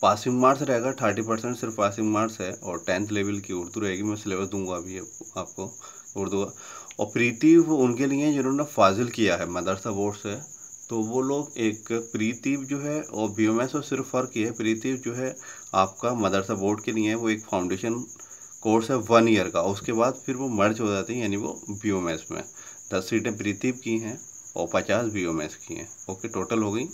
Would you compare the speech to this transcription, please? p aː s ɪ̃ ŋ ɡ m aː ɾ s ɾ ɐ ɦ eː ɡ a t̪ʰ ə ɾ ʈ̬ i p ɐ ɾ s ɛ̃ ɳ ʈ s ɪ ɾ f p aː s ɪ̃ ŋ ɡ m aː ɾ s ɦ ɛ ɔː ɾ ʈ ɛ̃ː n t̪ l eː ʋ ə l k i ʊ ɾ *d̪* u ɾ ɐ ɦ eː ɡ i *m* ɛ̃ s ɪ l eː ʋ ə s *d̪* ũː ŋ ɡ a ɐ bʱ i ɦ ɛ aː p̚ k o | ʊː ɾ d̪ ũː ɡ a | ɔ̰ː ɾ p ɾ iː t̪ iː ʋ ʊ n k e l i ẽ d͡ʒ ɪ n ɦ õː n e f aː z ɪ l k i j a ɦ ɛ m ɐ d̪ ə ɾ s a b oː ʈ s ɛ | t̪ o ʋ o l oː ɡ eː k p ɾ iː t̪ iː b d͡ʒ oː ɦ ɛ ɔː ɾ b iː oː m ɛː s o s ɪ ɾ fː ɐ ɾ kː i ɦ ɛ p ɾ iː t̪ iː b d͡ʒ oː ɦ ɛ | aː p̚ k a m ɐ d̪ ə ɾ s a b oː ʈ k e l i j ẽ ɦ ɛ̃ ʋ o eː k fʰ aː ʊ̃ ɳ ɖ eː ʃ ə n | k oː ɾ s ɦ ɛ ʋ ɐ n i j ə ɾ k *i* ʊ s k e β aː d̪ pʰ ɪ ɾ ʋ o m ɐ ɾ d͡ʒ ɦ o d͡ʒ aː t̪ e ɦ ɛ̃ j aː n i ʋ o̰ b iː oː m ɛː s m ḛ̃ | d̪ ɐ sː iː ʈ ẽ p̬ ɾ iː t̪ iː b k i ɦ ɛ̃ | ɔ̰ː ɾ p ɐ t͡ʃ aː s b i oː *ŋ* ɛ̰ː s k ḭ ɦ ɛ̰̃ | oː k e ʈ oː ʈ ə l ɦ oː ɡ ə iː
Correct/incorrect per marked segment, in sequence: correct, correct, correct, incorrect: a, incorrect: m

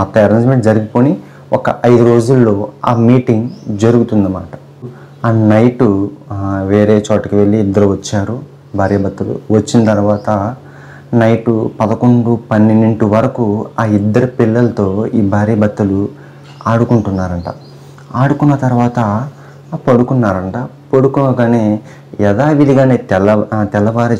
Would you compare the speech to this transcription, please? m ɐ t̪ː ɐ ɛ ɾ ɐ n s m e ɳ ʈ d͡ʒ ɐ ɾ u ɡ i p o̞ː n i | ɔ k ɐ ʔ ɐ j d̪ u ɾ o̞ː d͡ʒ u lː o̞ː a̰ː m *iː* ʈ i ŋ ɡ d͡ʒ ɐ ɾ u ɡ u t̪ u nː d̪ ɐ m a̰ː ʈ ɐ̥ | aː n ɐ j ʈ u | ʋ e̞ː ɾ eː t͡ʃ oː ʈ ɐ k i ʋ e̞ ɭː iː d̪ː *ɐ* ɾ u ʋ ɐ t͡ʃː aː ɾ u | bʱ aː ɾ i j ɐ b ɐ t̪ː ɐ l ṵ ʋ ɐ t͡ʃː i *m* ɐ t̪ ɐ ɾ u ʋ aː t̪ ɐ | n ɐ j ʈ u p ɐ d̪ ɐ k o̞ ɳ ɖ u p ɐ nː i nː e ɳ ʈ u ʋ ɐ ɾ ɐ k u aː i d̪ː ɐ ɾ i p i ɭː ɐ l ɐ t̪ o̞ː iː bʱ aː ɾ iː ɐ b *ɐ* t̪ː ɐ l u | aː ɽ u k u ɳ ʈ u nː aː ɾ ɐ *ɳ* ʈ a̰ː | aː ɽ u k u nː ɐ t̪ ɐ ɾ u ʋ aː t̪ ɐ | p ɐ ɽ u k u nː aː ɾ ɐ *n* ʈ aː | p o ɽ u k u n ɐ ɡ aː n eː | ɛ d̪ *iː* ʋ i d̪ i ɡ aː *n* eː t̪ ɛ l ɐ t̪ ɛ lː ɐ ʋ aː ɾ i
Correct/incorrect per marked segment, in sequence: correct, correct, incorrect: n, correct, correct, incorrect: ɳ, incorrect: aː, correct

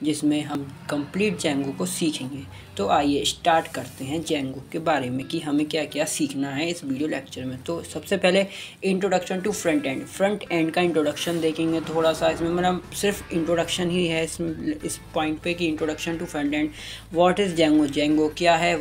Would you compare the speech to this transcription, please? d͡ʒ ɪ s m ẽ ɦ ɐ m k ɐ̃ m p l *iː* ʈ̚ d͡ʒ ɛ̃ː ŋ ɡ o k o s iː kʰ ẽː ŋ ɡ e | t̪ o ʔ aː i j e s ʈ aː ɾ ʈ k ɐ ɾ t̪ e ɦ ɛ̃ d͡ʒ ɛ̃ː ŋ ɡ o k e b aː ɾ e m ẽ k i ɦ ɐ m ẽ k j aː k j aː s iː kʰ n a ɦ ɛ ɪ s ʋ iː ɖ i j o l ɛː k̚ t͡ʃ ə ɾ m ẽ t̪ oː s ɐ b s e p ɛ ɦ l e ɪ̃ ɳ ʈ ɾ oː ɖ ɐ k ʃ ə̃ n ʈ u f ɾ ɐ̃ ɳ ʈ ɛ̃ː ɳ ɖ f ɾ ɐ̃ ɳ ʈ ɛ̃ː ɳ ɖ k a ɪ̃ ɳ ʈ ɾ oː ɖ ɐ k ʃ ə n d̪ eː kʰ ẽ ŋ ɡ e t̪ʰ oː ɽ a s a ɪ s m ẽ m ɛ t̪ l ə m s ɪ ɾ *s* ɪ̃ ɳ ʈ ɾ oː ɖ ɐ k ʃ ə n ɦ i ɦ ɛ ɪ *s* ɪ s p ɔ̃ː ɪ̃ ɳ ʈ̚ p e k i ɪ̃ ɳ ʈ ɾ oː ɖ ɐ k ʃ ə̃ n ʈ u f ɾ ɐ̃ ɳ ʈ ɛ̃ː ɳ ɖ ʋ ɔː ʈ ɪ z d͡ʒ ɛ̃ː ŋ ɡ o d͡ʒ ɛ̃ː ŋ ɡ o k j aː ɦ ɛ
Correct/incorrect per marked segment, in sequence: correct, incorrect: f, correct

